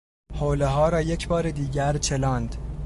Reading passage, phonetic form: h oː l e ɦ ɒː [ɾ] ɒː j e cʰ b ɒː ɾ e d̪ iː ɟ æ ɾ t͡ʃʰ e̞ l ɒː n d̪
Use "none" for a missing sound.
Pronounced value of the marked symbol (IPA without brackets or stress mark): ɾ